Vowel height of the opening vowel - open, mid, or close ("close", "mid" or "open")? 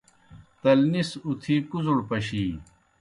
open